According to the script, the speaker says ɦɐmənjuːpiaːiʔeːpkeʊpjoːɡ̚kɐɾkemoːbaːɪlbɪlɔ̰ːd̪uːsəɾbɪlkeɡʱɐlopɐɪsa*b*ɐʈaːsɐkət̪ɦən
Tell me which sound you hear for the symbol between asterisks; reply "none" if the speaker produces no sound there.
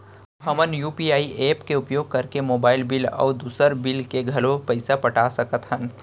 p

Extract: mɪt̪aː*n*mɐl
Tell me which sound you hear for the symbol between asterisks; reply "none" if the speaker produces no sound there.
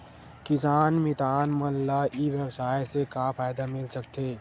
n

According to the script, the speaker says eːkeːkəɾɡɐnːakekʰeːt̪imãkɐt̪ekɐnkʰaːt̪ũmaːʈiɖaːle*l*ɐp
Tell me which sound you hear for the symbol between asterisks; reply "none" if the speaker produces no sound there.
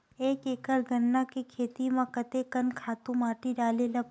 l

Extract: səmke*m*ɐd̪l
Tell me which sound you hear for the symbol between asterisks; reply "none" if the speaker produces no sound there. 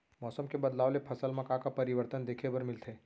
b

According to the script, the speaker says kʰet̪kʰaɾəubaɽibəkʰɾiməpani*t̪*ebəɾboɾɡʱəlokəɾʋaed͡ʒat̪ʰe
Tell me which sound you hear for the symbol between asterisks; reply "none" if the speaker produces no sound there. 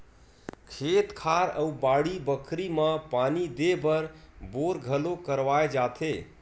d̪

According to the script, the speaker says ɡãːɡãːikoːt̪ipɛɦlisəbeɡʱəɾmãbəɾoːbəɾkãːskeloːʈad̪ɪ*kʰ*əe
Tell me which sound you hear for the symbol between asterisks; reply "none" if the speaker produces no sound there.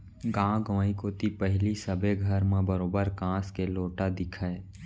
kʰ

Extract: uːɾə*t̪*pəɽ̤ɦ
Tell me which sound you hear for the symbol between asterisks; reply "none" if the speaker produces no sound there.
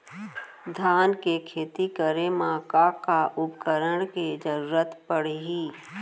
t̪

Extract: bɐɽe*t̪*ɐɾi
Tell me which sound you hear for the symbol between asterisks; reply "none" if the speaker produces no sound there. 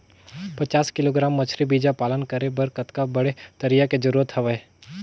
t̪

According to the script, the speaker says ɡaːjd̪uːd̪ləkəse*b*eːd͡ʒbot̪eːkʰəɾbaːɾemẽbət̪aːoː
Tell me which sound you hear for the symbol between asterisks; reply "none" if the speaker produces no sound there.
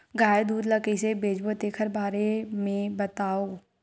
b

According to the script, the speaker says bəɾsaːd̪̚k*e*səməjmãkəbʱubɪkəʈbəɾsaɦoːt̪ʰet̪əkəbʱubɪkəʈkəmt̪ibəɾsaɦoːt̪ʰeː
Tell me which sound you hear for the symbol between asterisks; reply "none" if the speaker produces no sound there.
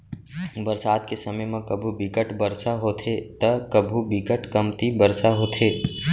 e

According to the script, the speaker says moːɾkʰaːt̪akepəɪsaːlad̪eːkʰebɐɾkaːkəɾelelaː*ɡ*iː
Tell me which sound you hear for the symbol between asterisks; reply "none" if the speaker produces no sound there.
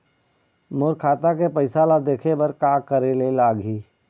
ɡ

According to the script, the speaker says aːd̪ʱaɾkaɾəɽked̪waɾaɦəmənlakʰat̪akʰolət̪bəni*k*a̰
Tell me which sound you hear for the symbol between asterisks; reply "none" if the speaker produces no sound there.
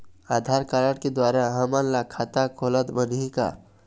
k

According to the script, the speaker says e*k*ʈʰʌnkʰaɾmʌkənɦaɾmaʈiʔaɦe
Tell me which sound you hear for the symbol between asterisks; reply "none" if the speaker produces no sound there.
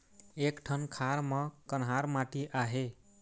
k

